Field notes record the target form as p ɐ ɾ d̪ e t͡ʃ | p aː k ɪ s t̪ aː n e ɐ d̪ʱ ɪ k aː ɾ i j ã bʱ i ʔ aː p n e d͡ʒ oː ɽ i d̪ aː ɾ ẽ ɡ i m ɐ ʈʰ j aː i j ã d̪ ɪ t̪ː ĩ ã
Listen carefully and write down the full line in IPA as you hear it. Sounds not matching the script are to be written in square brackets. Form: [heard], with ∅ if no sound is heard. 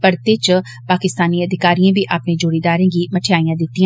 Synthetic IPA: p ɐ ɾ [t̪] e t͡ʃ | p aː k ɪ s t̪ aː n [i] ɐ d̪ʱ ɪ k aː ɾ i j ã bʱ i ʔ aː p n e d͡ʒ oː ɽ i d̪ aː ɾ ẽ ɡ i m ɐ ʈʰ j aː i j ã d̪ ɪ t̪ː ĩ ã

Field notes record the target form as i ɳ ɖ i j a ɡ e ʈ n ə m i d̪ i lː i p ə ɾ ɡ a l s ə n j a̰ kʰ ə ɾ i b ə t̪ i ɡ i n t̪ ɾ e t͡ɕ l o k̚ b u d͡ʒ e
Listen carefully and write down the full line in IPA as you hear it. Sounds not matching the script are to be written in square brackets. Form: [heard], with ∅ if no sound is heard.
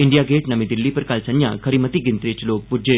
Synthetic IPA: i ɳ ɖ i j a ɡ e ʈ n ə m i d̪ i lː i p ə ɾ [k] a l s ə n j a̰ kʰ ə ɾ i [m] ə t̪ i ɡ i n t̪ ɾ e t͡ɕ l o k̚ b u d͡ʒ e

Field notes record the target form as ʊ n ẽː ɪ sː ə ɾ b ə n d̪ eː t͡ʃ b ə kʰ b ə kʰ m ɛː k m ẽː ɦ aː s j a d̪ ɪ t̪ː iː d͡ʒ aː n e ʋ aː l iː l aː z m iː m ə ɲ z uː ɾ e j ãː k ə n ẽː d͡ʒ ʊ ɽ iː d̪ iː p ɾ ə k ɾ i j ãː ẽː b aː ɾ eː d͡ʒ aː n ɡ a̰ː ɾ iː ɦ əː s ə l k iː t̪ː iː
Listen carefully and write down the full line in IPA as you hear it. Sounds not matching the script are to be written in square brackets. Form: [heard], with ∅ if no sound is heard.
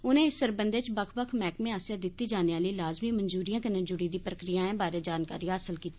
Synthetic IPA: ʊ n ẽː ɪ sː ə ɾ b ə n d̪ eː t͡ʃ b ə kʰ b ə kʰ m ɛː k m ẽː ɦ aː s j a d̪ ɪ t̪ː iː d͡ʒ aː n e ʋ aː l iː l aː z m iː m ə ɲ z uː ɾ [i] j ãː k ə n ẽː d͡ʒ ʊ ɽ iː d̪ iː p ɾ ə k ɾ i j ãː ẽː b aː ɾ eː d͡ʒ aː n [k] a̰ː ɾ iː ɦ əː s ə l k iː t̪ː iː

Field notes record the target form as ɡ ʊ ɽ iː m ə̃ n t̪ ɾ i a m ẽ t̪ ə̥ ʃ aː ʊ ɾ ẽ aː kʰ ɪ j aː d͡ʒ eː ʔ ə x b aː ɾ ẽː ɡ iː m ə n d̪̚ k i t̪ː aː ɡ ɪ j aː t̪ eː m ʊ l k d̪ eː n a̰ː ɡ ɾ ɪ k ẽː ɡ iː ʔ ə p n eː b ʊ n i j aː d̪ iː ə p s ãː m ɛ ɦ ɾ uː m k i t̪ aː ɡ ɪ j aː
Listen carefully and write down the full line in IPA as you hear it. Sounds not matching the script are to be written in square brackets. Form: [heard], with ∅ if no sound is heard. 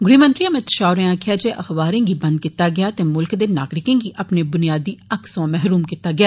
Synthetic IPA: ɡ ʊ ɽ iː m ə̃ n t̪ ɾ i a m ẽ t̪ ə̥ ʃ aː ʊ ɾ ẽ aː kʰ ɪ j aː d͡ʒ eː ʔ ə x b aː ɾ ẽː ɡ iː [b] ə n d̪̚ k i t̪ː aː ɡ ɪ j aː t̪ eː m ʊ l k d̪ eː n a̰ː ɡ ɾ ɪ k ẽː ɡ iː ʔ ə p n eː b ʊ n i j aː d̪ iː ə [k] s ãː m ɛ ɦ ɾ uː m k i t̪ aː ɡ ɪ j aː

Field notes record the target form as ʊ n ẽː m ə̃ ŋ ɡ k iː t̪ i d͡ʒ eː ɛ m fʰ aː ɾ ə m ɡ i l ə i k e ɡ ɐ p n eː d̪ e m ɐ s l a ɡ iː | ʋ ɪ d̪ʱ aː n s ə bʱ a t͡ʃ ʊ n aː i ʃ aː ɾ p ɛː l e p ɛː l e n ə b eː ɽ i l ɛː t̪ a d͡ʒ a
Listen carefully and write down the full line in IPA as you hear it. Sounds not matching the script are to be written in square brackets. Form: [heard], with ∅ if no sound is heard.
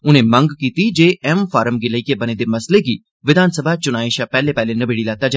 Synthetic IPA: ʊ n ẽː m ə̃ ŋ ɡ k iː t̪ i d͡ʒ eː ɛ m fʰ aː ɾ ə m ɡ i l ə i k e [b] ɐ [∅] n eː d̪ e m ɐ s l [e] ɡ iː | ʋ ɪ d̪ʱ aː n s ə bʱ a t͡ʃ ʊ n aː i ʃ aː [∅] p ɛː l e p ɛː l e n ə b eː ɽ i l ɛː t̪ a d͡ʒ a

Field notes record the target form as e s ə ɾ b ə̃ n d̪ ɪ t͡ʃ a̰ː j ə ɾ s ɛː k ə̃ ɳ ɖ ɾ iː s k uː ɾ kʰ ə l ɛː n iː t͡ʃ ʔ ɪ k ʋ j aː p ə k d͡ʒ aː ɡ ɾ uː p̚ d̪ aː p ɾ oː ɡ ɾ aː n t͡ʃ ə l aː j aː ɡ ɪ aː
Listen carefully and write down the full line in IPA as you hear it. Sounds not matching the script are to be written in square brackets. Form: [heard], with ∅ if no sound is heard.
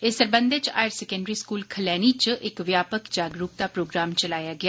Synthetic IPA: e s ə ɾ b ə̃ n d̪ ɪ t͡ʃ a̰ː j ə ɾ s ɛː k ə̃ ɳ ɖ ɾ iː s k uː [l] kʰ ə l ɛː n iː t͡ʃ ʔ ɪ k ʋ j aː p ə k d͡ʒ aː ɡ ɾ uː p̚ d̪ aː p ɾ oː ɡ ɾ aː [m] t͡ʃ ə l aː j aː ɡ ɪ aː

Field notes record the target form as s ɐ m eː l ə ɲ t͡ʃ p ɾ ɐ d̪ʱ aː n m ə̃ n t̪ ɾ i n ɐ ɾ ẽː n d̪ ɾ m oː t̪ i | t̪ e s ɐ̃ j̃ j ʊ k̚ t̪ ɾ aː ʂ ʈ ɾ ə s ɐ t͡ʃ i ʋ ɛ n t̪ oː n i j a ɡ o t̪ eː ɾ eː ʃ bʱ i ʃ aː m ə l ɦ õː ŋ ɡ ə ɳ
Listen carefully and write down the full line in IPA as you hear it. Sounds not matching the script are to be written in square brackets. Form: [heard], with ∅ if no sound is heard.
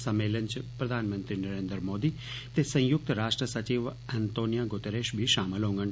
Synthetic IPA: s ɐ m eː l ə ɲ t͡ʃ p ɾ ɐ d̪ʱ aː n m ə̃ n t̪ ɾ i n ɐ ɾ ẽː n d̪ ɾ m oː [d̪] i | t̪ e s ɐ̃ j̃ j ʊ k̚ t̪ ɾ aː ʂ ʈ ɾ ə s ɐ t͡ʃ i ʋ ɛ n t̪ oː n i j a ɡ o t̪ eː ɾ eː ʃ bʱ i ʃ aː m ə l ɦ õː ŋ ɡ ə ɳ

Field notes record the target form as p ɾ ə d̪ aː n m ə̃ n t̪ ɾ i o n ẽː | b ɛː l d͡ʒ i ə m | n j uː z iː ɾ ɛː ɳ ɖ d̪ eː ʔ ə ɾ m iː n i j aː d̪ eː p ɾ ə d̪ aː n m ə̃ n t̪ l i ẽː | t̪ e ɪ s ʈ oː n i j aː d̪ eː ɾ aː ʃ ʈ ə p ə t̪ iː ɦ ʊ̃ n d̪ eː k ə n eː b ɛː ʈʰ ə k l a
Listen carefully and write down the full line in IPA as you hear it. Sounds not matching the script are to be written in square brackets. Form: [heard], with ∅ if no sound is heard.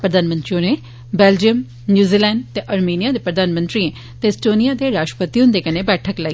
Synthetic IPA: p ɾ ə d̪ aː n m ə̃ n t̪ ɾ i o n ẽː | b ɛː l d͡ʒ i ə m | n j uː z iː [l] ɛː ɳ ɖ [t̪] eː ʔ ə ɾ m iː n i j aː d̪ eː p ɾ ə d̪ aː n m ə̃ n t̪ [ɾ] i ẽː | t̪ e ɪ s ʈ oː n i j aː d̪ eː ɾ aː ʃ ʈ ə p ə t̪ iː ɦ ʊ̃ n d̪ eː k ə n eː b ɛː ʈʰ ə k l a

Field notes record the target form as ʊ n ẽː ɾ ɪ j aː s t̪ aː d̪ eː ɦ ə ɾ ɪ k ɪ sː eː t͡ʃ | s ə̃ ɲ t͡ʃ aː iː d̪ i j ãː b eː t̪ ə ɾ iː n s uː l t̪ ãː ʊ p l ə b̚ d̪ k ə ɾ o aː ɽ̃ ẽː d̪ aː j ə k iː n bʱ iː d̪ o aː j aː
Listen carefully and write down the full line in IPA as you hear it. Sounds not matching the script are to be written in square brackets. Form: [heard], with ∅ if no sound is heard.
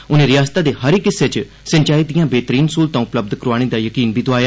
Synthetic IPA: ʊ n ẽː ɾ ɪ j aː s t̪ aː d̪ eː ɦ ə ɾ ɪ k ɪ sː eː t͡ʃ | s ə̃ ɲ t͡ʃ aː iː d̪ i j ãː b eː t̪ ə ɾ iː n s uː l t̪ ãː ʊ p l ə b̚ d̪ k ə ɾ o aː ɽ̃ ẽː d̪ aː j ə k iː n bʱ iː d̪ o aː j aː

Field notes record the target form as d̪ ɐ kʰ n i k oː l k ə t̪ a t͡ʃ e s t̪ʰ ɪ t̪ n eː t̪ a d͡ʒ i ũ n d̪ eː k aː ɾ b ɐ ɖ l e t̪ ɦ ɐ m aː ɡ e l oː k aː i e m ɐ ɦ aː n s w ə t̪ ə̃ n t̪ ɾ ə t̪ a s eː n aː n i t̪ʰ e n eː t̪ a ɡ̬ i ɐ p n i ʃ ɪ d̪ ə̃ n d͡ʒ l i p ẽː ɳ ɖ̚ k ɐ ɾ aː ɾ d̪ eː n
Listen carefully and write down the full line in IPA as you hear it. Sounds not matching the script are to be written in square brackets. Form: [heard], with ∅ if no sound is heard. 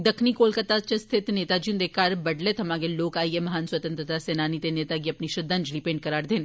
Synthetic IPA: d̪ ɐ kʰ n i k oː l k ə t̪ a t͡ʃ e s t̪ʰ ɪ t̪ n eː t̪ a d͡ʒ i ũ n d̪ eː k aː ɾ b ɐ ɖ l e t̪ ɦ ɐ m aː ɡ e l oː k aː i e m ɐ ɦ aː n s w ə t̪ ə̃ n t̪ ɾ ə t̪ a s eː n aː n i [t̪] e n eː t̪ a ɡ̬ i ɐ p n i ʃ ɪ d̪ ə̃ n d͡ʒ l i p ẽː ɳ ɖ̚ k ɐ ɾ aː ɾ d̪ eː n

